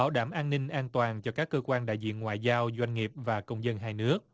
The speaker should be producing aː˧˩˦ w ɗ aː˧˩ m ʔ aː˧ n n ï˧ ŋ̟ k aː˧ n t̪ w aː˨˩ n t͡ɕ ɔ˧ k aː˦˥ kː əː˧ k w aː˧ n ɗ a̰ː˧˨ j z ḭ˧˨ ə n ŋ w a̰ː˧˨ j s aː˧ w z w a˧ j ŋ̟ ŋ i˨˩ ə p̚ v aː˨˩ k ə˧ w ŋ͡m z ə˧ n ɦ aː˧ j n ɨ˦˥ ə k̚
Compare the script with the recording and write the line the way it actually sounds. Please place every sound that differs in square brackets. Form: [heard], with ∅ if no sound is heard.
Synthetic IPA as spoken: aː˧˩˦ w ɗ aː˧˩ m ʔ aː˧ n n ï˧ ŋ̟ [ʔ] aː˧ n t̪ w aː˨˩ n t͡ɕ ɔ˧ k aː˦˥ kː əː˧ k w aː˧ n ɗ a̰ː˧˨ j z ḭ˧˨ ə n ŋ w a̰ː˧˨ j [z] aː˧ w z w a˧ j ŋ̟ ŋ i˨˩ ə p̚ v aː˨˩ k ə˧ w ŋ͡m z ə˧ n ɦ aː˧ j n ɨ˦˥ ə k̚